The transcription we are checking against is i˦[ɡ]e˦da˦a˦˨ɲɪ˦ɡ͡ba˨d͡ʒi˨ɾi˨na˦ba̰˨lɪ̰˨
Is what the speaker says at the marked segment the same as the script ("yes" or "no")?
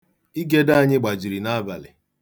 yes